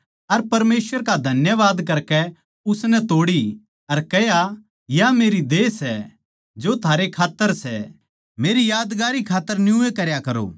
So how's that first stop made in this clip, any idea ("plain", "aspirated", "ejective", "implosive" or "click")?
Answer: plain